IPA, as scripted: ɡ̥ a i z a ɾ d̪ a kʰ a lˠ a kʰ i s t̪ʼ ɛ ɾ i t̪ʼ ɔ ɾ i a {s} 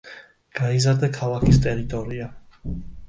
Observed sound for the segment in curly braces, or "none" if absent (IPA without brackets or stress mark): none